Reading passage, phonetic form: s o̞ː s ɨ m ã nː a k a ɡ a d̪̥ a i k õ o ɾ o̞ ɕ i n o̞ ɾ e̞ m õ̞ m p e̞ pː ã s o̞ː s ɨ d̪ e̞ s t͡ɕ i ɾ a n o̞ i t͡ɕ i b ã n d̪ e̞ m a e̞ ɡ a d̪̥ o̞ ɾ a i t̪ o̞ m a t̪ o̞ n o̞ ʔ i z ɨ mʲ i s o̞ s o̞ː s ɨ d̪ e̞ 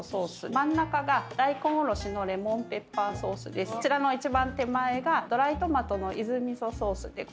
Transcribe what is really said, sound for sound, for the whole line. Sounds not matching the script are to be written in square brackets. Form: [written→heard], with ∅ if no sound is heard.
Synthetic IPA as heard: s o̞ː s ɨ m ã nː a k a ɡ a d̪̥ a i k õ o ɾ o̞ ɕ i n o̞ ɾ e̞ m õ̞ m p e̞ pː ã s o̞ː s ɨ d̪ e̞ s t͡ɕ i ɾ a n o̞ i t͡ɕ i b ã n [d̪→t̪] e̞ m a e̞ ɡ a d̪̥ o̞ ɾ a i t̪ o̞ m a t̪ o̞ n o̞ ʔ i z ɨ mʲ i s o̞ s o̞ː s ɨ d̪ e̞